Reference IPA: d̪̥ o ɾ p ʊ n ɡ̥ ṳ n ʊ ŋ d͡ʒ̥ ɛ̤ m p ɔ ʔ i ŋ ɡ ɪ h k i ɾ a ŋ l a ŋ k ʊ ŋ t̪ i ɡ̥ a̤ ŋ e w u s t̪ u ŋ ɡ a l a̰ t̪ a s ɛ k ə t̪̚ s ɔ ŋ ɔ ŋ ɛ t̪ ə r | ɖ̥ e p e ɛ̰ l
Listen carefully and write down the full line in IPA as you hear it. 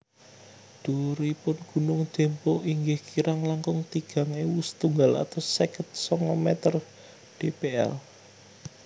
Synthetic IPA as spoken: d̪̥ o ɾ p ʊ n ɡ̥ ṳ n ʊ ŋ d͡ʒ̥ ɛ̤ m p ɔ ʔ i ŋ ɡ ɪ h k i ɾ a ŋ l a ŋ k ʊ ŋ t̪ i ɡ̥ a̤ ŋ e w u s t̪ u ŋ ɡ a l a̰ t̪ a s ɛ k ə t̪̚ s ɔ ŋ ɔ m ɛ t̪ ə r | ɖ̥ e p e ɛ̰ l